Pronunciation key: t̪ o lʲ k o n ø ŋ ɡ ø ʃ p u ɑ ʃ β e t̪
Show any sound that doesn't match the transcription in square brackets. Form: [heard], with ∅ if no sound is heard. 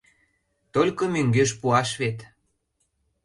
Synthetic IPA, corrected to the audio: t̪ o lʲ k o [m] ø ŋ ɡ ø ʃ p u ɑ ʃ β e t̪